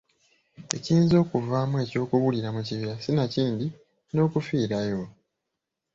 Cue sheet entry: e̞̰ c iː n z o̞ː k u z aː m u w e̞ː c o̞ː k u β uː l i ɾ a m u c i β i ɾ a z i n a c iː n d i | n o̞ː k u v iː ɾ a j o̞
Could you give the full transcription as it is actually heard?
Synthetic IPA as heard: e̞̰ c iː n z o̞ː k u v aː m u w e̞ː c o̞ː k u β u l i ɾ a m u c i β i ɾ a s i n a c iː n d i | n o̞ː k u f iː ɾ a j o̞